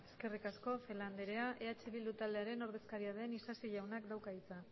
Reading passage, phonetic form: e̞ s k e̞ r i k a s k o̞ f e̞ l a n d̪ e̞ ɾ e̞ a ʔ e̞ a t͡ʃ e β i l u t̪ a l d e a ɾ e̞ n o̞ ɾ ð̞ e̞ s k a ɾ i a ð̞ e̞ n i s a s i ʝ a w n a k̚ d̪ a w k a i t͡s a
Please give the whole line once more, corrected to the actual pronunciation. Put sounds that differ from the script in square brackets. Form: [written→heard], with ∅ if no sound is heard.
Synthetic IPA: e̞ s k e̞ r i k a s k o̞ f e̞ l a n d̪ e̞ ɾ e̞ a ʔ e̞ a t͡ʃ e β i l u t̪ a l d e a ɾ e̞ n o̞ ɾ ð̞ e̞ s k a ɾ i a ð̞ e̞ n i s a s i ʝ a w n a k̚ d̪ a w k a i t͡s a